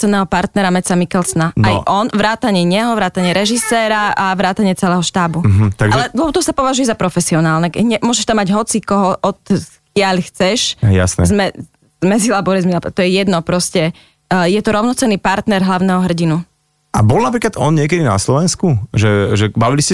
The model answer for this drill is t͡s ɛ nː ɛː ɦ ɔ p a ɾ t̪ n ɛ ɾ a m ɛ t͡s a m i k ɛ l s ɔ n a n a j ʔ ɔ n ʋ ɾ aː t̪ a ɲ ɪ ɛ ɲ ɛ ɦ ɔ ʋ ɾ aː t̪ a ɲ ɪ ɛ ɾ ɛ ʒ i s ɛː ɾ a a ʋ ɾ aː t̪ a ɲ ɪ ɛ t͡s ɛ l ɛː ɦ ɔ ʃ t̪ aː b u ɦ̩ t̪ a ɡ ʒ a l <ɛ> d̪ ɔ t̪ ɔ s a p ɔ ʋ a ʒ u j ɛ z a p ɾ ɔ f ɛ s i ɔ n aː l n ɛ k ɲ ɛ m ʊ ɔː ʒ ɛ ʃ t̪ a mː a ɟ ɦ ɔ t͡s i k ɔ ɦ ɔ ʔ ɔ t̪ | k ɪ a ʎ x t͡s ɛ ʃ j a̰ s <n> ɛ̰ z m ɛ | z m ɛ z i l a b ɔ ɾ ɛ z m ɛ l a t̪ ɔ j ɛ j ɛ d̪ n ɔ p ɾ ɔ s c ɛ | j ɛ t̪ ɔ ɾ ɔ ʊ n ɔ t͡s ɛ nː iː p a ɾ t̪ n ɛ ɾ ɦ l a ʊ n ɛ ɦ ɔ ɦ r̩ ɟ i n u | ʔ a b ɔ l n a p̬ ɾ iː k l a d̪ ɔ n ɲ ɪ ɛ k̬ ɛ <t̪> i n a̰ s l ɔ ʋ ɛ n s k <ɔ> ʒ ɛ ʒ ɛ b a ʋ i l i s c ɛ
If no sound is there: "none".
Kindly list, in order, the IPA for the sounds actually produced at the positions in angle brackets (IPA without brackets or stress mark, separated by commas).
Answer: ɛ, n, d̪, u